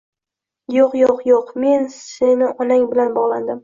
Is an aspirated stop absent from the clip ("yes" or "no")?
yes